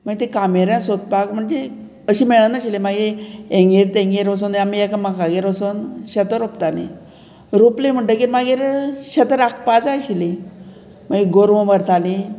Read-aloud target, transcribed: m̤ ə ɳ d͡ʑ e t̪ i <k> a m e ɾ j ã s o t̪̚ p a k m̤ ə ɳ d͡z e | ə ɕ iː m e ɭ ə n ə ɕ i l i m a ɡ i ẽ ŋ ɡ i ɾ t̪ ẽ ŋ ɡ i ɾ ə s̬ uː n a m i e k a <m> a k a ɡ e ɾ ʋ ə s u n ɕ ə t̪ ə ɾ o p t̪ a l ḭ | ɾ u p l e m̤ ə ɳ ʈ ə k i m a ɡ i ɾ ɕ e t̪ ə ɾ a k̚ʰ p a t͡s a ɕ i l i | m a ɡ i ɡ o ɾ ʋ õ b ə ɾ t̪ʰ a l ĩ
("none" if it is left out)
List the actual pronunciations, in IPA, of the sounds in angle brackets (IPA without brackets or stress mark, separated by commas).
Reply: k, m